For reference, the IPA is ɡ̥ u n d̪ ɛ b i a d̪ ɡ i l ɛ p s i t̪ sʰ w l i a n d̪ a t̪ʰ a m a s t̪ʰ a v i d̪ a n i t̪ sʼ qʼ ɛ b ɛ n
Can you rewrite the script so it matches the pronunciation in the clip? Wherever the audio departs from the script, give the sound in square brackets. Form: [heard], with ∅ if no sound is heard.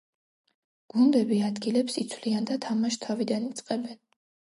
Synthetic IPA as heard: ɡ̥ u n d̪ ɛ b i a d̪ ɡ i l ɛ p s i t̪ sʰ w l i a n d̪ a t̪ʰ a m a [ʃ] t̪ʰ a v i d̪ a n i t̪ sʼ qʼ ɛ b ɛ n